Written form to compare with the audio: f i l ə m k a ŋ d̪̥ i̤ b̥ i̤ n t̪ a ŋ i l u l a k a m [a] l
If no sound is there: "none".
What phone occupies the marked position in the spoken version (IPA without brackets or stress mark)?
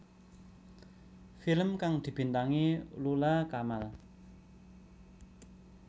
a